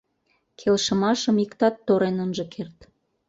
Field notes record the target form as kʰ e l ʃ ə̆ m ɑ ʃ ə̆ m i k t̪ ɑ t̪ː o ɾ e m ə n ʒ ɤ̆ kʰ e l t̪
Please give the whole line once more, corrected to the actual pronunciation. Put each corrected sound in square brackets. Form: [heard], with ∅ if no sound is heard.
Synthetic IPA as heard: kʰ e l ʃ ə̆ m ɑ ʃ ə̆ m i k t̪ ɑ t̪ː o ɾ e [n] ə n ʒ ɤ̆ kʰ e [r] t̪